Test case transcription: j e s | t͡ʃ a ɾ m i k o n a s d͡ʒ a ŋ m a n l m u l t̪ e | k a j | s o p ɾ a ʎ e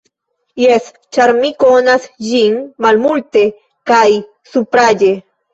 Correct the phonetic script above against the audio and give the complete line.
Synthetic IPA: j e s | t͡ʃ a ɾ m i k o n a s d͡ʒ i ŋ m a l m u l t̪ e | k a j | s u p ɾ a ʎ e